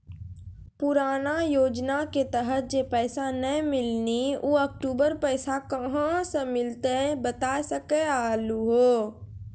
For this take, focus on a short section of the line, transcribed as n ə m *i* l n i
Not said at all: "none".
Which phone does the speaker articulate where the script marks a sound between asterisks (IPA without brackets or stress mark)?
ɪ